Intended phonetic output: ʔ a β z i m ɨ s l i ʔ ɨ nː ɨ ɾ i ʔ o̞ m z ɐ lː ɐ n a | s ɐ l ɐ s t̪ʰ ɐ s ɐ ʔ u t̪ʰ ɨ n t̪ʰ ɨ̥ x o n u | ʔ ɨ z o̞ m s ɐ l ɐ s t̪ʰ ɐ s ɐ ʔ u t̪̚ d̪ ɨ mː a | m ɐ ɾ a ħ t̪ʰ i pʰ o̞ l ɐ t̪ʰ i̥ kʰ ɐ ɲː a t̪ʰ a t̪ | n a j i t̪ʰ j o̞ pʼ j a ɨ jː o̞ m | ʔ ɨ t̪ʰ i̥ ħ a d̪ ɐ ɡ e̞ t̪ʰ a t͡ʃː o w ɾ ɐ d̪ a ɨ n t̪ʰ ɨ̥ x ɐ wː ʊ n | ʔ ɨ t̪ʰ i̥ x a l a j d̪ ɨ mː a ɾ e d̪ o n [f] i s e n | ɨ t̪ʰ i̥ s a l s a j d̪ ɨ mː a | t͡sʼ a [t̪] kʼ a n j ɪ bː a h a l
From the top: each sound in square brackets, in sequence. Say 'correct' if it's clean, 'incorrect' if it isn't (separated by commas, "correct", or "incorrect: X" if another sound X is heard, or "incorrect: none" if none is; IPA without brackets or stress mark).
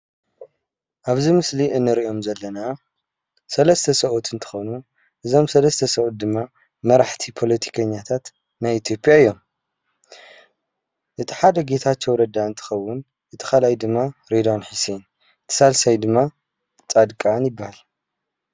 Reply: incorrect: ħ, incorrect: d̪